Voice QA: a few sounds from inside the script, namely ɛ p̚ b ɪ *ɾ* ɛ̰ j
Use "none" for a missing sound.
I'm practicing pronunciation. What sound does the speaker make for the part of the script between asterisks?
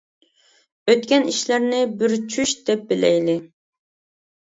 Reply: l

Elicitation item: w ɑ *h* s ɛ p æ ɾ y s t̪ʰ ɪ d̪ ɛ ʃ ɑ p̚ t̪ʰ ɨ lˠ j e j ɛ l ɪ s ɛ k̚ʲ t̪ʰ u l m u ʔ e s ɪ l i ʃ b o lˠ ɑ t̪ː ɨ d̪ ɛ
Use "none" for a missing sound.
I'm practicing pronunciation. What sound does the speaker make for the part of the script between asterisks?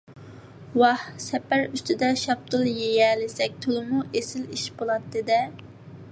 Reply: h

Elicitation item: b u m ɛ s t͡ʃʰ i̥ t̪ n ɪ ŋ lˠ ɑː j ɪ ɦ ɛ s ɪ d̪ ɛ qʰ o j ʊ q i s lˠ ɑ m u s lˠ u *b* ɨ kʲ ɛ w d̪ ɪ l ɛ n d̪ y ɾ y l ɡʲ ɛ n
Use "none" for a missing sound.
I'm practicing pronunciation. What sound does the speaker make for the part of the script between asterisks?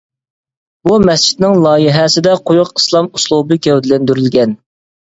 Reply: b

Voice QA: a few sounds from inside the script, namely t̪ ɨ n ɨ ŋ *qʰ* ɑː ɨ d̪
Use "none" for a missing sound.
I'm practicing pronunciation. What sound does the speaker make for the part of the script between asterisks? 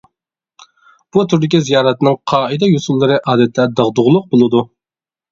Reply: qʰ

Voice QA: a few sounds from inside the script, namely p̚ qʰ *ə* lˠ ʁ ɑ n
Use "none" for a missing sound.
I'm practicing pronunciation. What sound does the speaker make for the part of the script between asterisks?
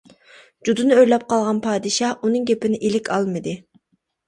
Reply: ɑ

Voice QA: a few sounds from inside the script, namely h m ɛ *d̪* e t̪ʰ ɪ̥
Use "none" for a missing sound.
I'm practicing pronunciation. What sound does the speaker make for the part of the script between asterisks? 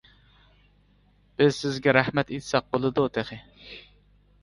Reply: t̪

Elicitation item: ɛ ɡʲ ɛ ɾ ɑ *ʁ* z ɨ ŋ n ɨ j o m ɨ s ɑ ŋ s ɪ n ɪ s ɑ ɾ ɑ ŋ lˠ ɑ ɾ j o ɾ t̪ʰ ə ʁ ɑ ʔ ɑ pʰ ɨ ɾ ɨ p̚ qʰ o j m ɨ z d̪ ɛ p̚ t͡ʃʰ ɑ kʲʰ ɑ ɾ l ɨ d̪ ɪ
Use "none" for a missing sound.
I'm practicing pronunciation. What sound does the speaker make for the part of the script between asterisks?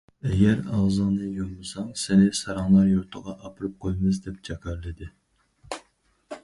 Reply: ʁ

